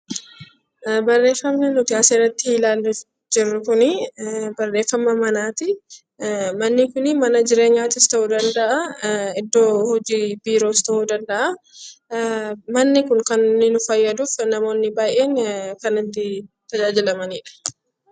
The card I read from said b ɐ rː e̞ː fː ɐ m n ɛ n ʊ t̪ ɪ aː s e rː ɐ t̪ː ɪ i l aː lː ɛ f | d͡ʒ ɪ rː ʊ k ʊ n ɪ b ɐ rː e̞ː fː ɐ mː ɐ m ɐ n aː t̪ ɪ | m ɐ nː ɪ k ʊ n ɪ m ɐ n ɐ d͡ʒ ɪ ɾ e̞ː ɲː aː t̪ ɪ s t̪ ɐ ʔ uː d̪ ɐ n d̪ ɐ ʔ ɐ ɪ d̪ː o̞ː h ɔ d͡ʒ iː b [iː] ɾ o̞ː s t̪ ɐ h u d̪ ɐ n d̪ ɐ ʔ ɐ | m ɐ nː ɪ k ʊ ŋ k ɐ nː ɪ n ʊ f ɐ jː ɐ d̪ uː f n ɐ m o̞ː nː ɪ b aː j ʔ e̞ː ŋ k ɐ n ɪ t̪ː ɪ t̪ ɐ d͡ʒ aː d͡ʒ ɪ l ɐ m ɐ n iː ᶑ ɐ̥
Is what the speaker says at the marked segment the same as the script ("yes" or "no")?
yes